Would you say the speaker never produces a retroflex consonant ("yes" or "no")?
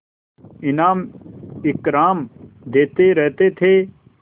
yes